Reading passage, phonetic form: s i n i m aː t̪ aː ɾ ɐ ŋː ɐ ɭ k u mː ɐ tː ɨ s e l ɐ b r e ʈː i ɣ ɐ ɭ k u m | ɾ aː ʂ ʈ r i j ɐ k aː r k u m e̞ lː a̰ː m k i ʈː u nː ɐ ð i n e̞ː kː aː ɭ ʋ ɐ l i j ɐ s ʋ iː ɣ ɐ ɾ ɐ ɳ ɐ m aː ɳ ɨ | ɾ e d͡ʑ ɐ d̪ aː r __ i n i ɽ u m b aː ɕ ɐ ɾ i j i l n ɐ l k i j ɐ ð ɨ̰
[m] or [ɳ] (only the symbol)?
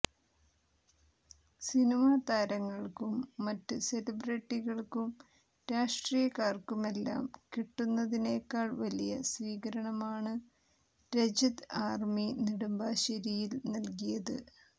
m